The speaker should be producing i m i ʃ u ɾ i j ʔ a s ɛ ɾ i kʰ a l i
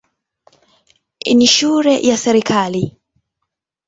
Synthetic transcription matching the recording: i n i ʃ u ɾ ɛ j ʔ a s ɛ ɾ i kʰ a l i